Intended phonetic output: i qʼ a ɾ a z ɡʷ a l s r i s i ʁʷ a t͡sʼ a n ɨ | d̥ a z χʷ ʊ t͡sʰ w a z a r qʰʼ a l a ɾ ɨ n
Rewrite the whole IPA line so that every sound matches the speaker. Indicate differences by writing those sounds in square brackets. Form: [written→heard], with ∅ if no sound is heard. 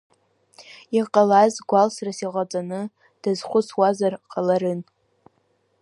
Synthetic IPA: i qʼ a [ɾ→l] a z ɡʷ a l s r [i→a] s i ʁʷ a t͡sʼ a n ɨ | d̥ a z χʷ ʊ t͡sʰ w a z a r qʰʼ a l a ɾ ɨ n